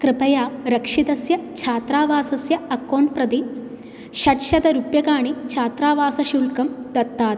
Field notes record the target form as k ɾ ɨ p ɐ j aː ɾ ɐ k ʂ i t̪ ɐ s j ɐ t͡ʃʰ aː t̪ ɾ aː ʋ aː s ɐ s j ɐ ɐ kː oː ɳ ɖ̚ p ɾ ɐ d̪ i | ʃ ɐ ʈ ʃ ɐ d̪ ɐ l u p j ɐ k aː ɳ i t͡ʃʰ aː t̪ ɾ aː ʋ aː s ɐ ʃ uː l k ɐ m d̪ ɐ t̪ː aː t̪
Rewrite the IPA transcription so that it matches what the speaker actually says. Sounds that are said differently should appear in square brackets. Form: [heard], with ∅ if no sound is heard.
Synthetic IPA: k ɾ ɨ p ɐ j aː ɾ ɐ k ʂ i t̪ ɐ s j ɐ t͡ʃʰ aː t̪ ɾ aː ʋ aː s ɐ s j ɐ ɐ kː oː ɳ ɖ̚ p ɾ ɐ d̪ i | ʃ ɐ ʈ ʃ ɐ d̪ ɐ [ɾ] u p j ɐ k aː ɳ i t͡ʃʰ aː t̪ ɾ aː ʋ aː s ɐ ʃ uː l k ɐ m d̪ ɐ t̪ː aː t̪

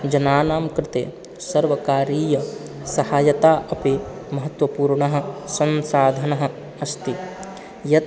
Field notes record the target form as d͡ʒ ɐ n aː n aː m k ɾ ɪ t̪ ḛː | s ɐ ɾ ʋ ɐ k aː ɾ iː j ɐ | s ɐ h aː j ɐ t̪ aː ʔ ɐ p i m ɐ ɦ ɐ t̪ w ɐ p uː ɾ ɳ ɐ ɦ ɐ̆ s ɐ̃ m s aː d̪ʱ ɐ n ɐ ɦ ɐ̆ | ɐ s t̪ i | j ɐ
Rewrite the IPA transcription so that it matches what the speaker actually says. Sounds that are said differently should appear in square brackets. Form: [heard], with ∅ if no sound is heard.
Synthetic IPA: d͡ʒ ɐ n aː n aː m k ɾ ɪ t̪ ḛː | s ɐ ɾ ʋ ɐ k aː ɾ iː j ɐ | s ɐ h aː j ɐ t̪ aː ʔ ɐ p i m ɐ ɦ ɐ t̪ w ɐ p uː ɾ ɳ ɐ ɦ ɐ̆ s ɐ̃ [n] s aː d̪ʱ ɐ n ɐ ɦ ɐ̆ | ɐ s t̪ i | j ɐ

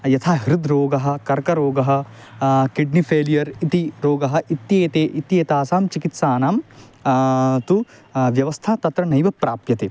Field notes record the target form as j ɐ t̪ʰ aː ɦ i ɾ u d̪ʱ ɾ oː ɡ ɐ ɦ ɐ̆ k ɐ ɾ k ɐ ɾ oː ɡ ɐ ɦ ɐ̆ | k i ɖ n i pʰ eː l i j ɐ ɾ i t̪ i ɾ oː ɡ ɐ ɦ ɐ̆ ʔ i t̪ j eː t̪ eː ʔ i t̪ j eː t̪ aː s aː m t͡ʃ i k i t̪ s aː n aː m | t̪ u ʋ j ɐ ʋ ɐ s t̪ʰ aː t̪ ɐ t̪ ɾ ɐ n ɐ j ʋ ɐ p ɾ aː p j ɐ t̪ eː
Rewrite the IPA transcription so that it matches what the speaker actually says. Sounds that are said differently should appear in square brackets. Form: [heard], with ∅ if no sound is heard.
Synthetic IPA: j ɐ t̪ʰ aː ɦ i ɾ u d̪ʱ ɾ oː ɡ ɐ ɦ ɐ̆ k ɐ ɾ k ɐ ɾ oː ɡ ɐ ɦ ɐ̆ | k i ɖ n i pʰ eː l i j ɐ ɾ i t̪ i ɾ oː ɡ ɐ ɦ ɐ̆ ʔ i t̪ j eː t̪ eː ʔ i t̪ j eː t̪ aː s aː m t͡ʃ i k i t̪ s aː n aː m | t̪ u ʋ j ɐ ʋ ɐ s t̪ʰ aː t̪ ɐ t̪ ɾ ɐ n ɐ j ʋ ɐ p ɾ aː p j ɐ t̪ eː

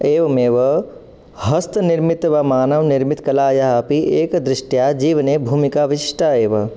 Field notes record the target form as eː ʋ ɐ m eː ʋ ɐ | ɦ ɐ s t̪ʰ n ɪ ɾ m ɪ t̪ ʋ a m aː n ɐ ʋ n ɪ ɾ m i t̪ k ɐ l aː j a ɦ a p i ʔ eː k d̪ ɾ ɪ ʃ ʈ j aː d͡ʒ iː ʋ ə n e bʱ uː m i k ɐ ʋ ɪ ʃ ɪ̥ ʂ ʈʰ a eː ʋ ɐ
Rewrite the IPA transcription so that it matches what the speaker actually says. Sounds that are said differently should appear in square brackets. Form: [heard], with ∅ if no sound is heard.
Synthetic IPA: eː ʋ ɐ m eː ʋ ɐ | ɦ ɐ s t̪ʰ n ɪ ɾ m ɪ t̪ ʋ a m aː n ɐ ʋ n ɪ ɾ m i t̪ k ɐ l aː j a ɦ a p i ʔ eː k d̪ ɾ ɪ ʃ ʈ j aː d͡ʒ iː ʋ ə n e bʱ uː m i k [a] ʋ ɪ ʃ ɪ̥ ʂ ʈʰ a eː ʋ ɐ

